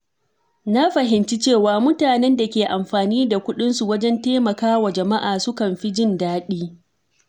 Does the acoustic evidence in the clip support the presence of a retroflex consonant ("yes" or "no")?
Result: no